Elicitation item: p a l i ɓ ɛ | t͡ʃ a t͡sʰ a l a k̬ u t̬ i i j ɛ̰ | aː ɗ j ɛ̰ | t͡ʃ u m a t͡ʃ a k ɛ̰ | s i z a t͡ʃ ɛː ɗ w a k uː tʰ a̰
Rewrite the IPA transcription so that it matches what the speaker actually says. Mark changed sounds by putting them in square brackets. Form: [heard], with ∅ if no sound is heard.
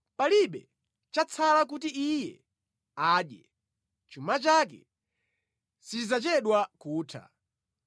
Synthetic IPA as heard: p a l i ɓ ɛ | t͡ʃ a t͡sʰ a l a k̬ u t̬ i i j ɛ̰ | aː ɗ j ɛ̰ | t͡ʃ u m a t͡ʃ a k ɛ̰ | s i z a t͡ʃ [ɛ] ɗ w a k uː tʰ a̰